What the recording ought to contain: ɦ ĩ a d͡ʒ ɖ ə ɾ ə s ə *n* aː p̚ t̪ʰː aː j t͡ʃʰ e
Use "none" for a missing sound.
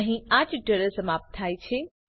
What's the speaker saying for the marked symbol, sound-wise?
m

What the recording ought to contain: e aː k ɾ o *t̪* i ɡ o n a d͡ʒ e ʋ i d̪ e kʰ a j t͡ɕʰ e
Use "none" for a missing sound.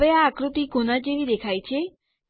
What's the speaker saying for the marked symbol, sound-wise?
t̪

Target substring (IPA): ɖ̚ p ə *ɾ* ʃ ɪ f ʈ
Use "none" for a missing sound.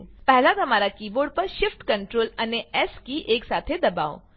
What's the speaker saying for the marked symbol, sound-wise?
ɾ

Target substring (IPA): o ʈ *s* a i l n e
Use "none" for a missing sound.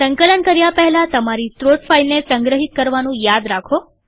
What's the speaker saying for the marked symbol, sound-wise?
f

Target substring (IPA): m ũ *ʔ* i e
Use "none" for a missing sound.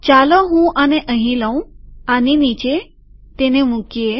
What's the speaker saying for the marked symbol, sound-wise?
k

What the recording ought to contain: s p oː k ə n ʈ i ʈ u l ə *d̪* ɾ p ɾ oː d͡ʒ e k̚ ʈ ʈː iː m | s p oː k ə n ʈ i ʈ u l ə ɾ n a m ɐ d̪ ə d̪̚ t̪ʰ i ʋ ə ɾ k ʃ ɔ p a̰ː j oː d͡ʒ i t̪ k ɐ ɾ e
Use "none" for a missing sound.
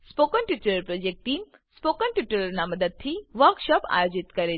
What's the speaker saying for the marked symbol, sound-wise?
none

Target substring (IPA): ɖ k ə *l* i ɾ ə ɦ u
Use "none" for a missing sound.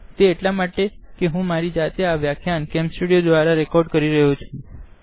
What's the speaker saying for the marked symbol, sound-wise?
ɾ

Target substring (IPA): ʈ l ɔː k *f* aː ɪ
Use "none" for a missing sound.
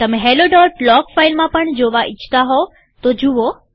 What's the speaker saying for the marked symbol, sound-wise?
f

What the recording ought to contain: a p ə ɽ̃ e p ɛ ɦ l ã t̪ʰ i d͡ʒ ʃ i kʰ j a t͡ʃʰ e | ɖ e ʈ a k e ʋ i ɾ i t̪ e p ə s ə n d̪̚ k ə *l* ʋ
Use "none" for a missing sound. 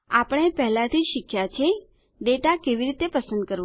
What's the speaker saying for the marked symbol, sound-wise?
ɾ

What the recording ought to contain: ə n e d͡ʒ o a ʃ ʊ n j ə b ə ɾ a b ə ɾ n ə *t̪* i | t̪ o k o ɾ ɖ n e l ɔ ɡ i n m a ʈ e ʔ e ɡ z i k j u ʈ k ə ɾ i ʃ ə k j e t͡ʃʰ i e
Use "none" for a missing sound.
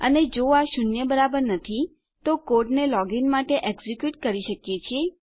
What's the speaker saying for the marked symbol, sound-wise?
t̪ʰ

